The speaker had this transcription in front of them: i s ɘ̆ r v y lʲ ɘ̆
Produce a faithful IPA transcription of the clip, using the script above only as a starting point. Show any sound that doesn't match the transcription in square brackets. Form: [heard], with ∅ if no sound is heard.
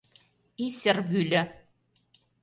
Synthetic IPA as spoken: i s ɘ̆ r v y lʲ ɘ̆